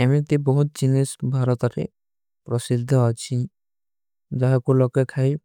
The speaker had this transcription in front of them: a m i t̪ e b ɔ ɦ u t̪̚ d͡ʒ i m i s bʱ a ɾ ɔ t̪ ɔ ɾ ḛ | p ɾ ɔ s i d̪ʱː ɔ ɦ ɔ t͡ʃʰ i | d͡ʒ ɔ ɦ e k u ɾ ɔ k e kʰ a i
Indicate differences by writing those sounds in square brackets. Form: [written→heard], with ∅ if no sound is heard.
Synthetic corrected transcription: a m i t̪ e b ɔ ɦ u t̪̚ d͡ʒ i [m→n] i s bʱ a ɾ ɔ t̪ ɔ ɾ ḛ | p ɾ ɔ s i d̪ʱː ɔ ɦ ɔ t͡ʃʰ i | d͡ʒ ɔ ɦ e k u [ɾ→l] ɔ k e kʰ a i